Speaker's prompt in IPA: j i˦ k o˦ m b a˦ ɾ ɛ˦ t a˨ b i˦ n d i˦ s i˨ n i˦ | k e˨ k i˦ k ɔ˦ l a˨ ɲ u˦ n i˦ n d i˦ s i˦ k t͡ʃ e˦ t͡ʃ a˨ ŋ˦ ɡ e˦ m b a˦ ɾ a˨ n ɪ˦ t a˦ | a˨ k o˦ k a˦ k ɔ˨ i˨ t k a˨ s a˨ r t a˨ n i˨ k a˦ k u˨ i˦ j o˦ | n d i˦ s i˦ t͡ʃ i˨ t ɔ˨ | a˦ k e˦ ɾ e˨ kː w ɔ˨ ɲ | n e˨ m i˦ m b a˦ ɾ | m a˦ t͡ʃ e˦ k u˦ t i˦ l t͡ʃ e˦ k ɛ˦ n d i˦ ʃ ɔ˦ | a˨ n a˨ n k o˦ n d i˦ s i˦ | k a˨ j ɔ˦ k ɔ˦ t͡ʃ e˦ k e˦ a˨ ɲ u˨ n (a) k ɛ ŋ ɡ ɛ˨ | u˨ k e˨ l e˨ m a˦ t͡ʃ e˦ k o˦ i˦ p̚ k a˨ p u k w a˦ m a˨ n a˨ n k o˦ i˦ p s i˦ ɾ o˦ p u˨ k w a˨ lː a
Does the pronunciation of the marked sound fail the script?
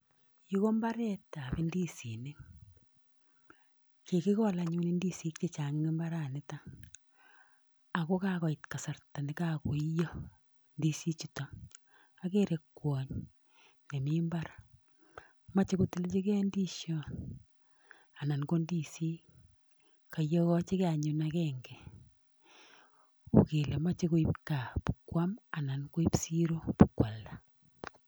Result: no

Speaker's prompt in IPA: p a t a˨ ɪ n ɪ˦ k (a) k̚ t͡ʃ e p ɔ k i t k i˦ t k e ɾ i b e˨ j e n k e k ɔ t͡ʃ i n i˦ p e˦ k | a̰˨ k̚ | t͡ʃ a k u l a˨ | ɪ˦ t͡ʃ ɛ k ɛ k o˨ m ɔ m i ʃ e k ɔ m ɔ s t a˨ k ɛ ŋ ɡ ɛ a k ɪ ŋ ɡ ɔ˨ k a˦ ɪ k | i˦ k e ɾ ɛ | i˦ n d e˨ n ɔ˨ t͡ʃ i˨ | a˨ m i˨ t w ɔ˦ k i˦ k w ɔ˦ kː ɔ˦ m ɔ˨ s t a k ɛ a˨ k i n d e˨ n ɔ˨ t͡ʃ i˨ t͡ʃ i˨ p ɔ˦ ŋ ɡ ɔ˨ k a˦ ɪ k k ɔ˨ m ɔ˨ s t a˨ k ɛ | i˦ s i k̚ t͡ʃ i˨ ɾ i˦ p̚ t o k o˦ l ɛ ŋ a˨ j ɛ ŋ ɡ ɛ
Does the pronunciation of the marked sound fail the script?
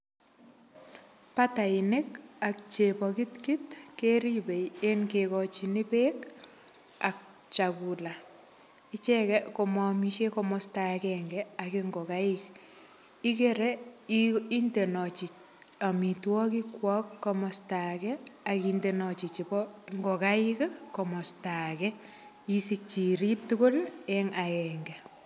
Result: no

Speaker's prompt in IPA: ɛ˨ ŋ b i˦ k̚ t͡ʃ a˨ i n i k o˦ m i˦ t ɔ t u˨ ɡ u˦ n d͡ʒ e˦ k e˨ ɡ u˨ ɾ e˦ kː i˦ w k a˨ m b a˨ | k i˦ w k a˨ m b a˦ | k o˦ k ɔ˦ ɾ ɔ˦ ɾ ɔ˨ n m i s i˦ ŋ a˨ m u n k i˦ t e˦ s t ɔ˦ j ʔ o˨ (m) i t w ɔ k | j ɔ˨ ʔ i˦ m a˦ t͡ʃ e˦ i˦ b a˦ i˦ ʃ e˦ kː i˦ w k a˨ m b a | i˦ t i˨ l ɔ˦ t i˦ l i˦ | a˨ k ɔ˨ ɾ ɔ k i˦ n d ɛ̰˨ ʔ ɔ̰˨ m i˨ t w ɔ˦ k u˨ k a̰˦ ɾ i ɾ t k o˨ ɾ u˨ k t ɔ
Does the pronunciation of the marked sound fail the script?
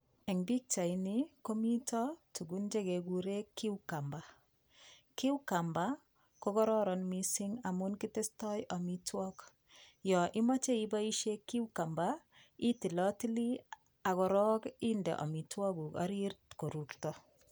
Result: no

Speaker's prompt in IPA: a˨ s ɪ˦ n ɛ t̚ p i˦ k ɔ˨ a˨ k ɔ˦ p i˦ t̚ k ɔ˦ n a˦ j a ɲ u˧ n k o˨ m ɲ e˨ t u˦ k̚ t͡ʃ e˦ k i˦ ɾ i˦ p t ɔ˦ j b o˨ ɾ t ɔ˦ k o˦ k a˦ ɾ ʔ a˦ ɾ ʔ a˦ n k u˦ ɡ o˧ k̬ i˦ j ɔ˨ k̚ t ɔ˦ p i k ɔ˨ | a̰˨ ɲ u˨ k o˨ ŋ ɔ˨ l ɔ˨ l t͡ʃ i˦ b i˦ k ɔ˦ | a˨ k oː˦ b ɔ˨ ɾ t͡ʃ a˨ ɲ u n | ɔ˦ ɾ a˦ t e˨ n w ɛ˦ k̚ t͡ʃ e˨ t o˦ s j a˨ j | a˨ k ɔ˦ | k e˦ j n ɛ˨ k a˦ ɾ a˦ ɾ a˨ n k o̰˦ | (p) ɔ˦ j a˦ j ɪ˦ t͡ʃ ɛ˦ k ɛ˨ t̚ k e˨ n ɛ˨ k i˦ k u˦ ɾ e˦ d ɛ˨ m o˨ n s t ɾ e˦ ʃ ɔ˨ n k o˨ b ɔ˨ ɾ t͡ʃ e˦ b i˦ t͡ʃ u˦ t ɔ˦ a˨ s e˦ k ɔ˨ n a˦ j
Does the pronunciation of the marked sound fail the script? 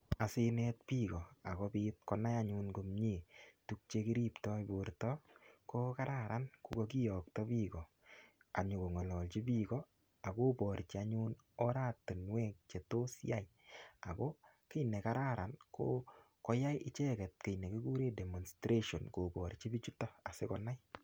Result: yes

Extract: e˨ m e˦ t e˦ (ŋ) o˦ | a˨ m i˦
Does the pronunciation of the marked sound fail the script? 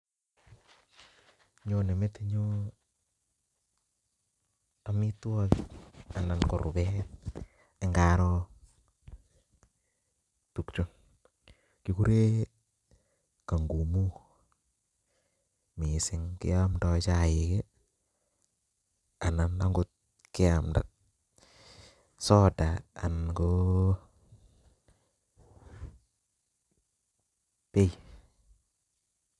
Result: yes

